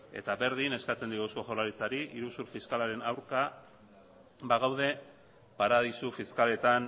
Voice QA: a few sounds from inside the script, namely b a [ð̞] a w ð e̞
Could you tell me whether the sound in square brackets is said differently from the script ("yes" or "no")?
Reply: yes